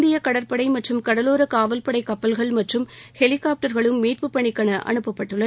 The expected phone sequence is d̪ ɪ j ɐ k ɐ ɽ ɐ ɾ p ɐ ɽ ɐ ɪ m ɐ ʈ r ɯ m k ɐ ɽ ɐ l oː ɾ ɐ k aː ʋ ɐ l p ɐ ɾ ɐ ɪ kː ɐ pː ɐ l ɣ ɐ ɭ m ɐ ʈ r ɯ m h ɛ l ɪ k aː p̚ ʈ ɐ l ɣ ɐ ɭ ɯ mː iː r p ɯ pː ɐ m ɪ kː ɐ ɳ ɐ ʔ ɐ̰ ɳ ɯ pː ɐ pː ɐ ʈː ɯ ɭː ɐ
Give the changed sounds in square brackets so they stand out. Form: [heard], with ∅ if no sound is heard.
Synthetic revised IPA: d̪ ɪ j ɐ k ɐ ɽ ɐ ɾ p ɐ ɽ ɐ ɪ m ɐ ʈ r ɯ m k ɐ ɽ ɐ l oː ɾ ɐ k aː ʋ ɐ l p ɐ [ɽ] ɐ ɪ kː ɐ pː ɐ l ɣ ɐ ɭ m ɐ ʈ r ɯ m h ɛ l ɪ k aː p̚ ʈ ɐ [ɾ] ɣ ɐ ɭ ɯ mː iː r p ɯ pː ɐ [ɳ] ɪ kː ɐ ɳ ɐ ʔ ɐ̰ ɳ ɯ pː ɐ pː ɐ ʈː ɯ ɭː ɐ